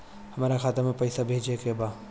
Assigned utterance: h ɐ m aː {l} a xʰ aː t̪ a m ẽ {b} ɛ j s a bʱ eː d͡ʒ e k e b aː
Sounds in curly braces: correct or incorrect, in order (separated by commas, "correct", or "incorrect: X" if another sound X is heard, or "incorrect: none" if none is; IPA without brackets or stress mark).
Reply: incorrect: ɾ, incorrect: p